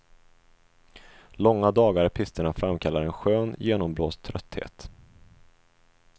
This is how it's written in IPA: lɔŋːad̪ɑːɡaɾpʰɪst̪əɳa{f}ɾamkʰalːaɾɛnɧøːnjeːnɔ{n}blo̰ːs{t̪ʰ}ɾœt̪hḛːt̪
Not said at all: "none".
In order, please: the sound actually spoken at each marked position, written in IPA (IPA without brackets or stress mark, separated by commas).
f, m, t̪ʰ